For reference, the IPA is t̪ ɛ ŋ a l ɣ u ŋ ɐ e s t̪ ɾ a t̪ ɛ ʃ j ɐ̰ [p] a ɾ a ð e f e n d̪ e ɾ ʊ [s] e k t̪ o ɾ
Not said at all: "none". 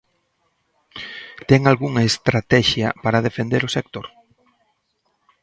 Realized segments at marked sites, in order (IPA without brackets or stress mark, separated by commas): p, s